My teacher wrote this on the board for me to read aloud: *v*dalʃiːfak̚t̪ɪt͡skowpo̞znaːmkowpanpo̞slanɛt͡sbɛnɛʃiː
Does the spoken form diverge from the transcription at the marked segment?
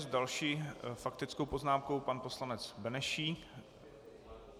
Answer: yes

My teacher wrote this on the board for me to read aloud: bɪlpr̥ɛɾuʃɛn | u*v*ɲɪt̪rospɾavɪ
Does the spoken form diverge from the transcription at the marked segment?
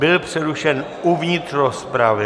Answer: no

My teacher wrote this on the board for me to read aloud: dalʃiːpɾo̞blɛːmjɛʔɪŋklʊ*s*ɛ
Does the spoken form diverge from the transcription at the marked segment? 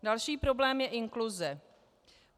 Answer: yes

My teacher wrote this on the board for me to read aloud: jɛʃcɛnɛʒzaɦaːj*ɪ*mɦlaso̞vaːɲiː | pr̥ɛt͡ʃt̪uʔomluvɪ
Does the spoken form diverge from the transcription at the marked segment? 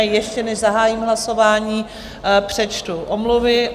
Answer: yes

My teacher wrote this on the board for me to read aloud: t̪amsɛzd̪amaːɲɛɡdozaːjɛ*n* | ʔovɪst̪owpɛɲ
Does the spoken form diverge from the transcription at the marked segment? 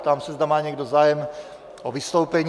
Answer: yes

